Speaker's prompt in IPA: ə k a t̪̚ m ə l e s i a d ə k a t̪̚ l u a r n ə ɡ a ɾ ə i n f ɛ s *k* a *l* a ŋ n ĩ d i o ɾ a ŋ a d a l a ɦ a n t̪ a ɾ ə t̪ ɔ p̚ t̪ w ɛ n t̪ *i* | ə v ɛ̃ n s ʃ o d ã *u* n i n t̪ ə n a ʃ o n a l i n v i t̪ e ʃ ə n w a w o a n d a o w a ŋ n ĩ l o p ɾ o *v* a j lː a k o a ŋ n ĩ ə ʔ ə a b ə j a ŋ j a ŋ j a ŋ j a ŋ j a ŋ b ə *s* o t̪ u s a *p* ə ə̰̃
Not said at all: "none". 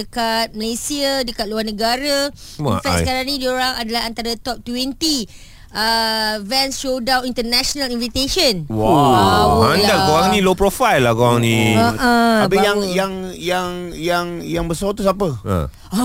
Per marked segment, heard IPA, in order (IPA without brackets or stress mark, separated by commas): k, ɾ, i, w, f, s, p